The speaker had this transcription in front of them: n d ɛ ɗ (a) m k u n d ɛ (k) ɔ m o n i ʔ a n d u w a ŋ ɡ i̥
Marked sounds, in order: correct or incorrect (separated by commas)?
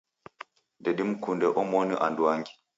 incorrect, incorrect